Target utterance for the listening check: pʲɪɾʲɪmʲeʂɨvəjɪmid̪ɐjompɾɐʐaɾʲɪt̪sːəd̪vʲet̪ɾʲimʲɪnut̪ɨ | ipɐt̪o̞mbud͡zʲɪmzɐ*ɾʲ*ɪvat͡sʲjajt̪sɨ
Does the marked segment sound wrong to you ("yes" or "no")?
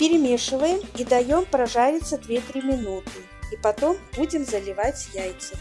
yes